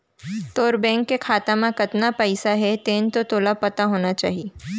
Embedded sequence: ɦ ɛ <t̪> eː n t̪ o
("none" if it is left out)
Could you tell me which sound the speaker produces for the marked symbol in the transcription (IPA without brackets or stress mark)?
t̪